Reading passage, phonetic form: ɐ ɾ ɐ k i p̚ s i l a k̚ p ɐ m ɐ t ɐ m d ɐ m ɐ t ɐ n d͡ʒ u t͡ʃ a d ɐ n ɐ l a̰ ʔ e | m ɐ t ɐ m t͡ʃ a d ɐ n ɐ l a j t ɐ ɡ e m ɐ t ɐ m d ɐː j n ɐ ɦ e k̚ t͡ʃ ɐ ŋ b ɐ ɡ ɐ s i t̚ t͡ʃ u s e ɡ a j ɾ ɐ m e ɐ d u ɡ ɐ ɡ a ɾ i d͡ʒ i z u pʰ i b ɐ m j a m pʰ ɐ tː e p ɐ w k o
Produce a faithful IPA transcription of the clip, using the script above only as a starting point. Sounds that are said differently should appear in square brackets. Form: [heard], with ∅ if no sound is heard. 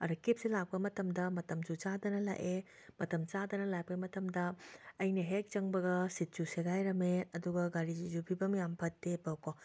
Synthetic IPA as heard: ɐ ɾ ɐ k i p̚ s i l a k̚ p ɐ m ɐ t ɐ m d ɐ m ɐ t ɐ [m] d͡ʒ u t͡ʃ a d ɐ n ɐ l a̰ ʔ e | m ɐ t ɐ m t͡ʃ a d ɐ n ɐ l a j [p] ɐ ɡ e m ɐ t ɐ m d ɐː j n ɐ ɦ e k̚ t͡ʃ ɐ ŋ b ɐ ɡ ɐ s i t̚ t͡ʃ u s e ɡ a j ɾ ɐ m e ɐ d u ɡ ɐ ɡ a ɾ i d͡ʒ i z u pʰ i b ɐ m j a m pʰ ɐ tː e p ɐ w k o